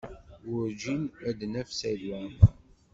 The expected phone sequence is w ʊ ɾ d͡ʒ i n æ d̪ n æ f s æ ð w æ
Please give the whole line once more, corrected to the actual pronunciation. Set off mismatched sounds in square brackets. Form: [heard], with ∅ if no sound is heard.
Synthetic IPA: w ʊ ɾ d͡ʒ i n æ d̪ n æ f s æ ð w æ